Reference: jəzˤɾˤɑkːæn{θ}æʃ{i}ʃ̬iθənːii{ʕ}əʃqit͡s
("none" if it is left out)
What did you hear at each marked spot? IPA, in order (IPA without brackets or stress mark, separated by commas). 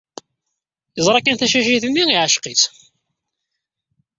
θ, æ, ʕ